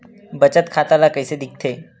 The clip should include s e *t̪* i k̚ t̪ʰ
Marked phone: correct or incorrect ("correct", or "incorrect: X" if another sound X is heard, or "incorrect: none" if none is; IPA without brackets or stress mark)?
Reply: incorrect: d̪